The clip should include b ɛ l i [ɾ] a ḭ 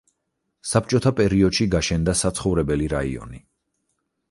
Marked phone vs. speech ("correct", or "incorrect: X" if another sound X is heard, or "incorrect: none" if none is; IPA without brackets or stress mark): correct